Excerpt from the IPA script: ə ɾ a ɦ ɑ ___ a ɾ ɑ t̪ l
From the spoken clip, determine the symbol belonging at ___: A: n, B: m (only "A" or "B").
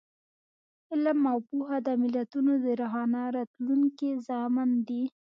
A